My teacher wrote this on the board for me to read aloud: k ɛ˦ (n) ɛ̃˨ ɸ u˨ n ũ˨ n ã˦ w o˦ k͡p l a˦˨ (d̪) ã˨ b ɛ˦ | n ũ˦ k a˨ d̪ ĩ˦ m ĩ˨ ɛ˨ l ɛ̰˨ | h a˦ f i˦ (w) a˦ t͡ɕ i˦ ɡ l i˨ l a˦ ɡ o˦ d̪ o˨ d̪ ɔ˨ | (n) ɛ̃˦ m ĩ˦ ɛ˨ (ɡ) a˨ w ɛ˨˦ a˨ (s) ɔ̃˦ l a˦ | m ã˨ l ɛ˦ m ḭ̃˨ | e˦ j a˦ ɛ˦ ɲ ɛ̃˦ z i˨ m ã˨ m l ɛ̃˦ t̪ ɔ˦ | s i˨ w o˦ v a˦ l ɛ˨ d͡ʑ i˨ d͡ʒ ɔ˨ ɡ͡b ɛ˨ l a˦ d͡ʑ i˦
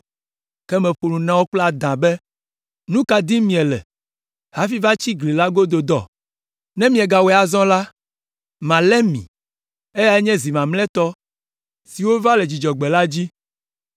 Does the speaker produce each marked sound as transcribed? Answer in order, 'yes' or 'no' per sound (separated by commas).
no, yes, no, yes, yes, no